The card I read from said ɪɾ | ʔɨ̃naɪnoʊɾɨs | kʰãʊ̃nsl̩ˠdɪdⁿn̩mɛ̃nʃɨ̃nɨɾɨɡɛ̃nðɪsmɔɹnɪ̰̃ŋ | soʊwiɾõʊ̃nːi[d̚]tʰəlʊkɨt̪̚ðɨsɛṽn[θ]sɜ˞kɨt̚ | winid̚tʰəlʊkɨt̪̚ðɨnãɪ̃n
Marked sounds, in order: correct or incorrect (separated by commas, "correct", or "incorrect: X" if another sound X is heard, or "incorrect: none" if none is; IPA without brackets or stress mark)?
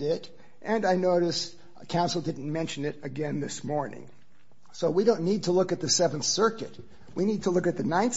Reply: correct, correct